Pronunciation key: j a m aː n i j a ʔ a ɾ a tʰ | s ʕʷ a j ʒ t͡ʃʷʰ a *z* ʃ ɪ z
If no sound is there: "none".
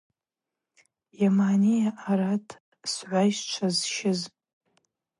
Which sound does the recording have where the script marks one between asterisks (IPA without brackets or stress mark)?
z